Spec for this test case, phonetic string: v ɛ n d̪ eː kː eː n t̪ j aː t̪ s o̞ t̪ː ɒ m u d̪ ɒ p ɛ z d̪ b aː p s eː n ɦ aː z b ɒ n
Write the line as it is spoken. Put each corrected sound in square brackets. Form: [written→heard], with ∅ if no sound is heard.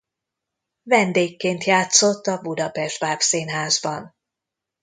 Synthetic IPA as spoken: v ɛ n d̪ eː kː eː n t̪ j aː t̪ s o̞ t̪ː ɒ [m→b] u d̪ ɒ p ɛ [z→ʒ] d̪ b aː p s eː n ɦ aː z b ɒ n